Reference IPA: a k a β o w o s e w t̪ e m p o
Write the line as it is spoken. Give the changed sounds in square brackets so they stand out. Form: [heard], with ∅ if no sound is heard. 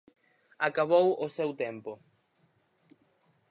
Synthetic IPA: a k a β o w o s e w t̪ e m p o